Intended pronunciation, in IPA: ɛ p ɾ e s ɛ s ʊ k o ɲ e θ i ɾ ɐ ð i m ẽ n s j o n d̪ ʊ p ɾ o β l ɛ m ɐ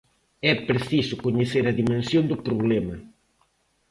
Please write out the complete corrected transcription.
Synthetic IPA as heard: ɛ p ɾ e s i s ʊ k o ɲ e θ e ɾ ɐ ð i m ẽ n s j o n d̪ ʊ p ɾ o β l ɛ m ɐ